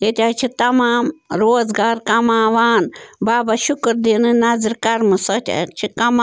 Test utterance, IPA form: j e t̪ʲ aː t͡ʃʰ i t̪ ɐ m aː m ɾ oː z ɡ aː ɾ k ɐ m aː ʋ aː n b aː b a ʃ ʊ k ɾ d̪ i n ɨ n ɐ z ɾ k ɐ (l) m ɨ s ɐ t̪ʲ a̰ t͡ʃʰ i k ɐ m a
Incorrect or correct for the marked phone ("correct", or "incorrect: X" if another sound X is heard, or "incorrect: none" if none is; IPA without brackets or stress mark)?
incorrect: ɾ